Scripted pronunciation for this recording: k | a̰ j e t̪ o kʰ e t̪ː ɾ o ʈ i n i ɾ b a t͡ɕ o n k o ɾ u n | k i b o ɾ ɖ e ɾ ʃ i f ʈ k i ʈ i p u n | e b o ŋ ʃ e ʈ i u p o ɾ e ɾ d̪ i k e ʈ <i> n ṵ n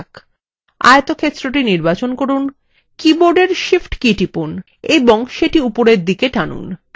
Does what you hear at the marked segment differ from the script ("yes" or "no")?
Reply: yes